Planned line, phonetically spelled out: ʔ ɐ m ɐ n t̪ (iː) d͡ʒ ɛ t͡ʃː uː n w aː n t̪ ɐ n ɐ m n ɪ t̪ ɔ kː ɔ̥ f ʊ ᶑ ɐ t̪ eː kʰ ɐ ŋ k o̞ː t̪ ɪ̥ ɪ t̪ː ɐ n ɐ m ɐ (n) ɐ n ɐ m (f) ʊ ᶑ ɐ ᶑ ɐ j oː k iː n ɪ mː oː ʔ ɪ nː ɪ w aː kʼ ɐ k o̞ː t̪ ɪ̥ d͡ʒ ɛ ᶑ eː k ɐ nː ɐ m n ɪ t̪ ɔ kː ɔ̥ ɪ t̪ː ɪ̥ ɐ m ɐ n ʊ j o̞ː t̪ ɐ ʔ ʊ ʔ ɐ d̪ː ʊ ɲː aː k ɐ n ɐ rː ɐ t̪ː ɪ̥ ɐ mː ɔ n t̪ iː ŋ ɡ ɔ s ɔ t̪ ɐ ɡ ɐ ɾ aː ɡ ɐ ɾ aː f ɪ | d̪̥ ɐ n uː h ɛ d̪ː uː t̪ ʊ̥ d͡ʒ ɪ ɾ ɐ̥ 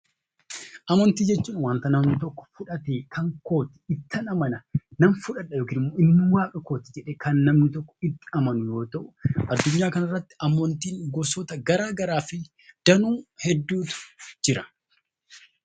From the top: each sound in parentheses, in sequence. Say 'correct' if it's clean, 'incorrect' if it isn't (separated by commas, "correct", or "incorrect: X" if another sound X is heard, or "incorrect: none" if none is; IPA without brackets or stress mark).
correct, correct, correct